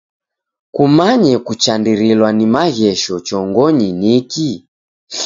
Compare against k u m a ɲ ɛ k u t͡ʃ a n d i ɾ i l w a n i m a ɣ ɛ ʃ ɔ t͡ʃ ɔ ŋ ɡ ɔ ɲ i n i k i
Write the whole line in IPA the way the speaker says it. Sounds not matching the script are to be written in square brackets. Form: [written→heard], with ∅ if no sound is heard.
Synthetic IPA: k u m a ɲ ɛ k u t͡ʃ a n d i ɾ i l w a n i m a ɣ ɛ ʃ ɔ t͡ʃ ɔ ŋ ɡ ɔ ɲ i n i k i